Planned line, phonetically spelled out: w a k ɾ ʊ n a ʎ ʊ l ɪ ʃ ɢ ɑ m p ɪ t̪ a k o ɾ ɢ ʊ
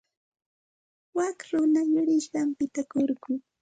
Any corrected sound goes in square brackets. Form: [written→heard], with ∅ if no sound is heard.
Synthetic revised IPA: w a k ɾ ʊ n a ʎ ʊ [l→ɾ] ɪ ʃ ɢ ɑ m p ɪ t̪ a k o ɾ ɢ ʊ